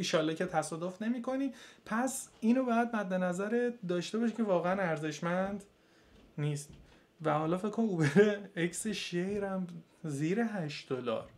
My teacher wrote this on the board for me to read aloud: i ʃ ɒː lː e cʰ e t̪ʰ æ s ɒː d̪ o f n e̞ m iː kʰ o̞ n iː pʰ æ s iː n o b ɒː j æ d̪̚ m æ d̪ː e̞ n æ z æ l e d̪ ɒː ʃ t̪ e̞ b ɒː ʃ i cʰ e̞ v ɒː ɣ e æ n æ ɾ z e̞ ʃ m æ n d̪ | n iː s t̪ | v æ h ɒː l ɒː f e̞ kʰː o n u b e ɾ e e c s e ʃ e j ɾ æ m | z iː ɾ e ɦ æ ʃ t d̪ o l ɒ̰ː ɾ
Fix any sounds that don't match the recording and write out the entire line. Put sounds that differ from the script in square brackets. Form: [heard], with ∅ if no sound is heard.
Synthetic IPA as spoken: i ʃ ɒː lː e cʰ e t̪ʰ æ s ɒː d̪ o f n e̞ m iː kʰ o̞ n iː pʰ æ s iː n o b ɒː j æ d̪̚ m æ d̪ː e̞ n æ z æ [ɾ] e d̪ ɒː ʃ t̪ e̞ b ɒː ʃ i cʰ e̞ v ɒː ɣ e æ n æ ɾ z e̞ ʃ m æ n d̪ | n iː s t̪ | v æ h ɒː l ɒː f e̞ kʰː o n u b e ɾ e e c s e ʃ e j ɾ æ m | z iː ɾ e ɦ æ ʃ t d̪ o l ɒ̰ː ɾ